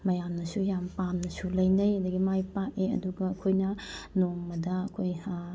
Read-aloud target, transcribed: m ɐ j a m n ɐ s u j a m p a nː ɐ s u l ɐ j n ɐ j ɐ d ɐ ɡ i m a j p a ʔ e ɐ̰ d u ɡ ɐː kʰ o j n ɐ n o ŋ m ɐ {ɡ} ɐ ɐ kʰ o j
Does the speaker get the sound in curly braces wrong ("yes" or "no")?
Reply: yes